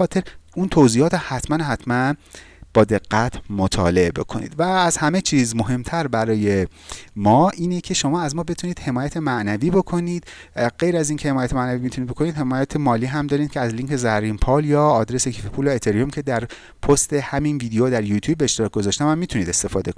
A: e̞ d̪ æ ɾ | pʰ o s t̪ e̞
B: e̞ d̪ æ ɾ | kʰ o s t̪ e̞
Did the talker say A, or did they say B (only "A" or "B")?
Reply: A